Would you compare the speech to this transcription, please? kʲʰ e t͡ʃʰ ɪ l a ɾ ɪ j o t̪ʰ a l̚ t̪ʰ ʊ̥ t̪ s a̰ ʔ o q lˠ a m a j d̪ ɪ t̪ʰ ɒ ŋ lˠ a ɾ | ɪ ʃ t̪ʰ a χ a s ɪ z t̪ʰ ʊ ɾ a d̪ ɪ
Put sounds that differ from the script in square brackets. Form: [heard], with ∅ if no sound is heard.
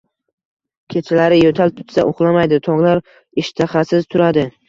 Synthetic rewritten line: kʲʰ e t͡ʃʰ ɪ l a ɾ ɪ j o t̪ʰ a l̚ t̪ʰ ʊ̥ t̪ s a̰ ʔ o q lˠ a m a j d̪ ɪ t̪ʰ ɒ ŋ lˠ a ɾ | ɪ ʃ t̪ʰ a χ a s ɪ z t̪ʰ ʊ ɾ a d̪ ɪ